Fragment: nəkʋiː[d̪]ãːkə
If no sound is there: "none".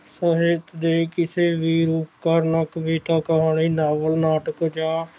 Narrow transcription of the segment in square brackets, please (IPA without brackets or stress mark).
t̪